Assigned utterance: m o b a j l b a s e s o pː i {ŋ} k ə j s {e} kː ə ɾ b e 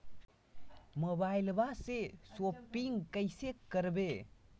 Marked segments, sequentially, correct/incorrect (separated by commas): correct, correct